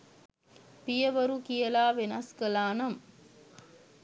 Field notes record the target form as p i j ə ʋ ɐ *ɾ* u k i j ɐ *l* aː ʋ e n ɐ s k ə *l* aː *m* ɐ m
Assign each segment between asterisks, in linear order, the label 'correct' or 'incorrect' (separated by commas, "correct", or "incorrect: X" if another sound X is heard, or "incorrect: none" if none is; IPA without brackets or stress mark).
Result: correct, correct, correct, incorrect: n